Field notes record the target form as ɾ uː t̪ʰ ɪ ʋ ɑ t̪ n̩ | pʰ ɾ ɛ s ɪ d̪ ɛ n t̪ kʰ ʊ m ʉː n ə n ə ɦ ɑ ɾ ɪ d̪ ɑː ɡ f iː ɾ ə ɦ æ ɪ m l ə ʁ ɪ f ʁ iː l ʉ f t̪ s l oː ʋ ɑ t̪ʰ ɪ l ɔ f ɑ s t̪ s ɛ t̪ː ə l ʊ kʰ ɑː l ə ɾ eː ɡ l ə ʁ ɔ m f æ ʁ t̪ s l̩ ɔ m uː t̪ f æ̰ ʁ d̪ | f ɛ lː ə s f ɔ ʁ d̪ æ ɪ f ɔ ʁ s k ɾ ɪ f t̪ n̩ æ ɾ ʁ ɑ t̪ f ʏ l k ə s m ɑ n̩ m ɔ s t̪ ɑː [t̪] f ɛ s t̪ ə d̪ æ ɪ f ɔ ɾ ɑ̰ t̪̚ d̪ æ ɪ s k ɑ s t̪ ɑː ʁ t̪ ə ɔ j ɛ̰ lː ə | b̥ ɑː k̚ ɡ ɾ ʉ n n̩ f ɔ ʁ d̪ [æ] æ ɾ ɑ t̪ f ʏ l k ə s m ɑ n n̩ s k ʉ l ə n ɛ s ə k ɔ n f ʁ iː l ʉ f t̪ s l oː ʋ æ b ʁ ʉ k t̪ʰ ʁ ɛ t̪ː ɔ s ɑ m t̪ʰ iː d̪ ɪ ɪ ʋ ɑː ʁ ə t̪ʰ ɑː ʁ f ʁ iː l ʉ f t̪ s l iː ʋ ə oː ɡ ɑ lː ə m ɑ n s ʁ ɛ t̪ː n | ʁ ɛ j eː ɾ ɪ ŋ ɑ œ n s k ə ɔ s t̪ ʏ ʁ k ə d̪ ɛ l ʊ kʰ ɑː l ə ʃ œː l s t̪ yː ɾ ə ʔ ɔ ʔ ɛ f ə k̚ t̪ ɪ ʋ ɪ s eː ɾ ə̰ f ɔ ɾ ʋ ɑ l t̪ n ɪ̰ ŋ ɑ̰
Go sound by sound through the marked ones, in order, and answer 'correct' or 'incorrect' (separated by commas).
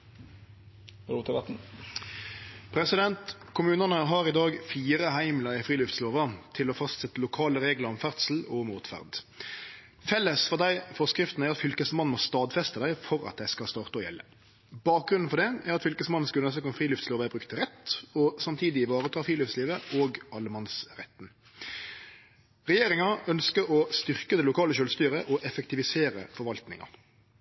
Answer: incorrect, incorrect